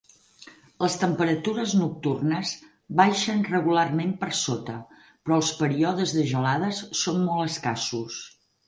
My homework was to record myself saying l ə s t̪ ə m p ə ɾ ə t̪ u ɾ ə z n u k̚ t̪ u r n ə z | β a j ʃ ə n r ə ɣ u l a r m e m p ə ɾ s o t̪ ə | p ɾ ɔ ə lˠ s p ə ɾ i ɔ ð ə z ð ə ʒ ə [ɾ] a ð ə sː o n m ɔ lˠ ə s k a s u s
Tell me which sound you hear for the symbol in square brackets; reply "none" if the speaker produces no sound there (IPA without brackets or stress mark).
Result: l